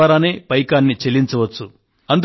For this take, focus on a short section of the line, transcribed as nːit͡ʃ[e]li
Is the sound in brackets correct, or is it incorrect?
correct